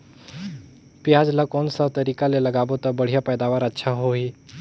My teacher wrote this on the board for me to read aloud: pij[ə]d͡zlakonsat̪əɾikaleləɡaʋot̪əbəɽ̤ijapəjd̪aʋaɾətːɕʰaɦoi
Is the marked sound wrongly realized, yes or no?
yes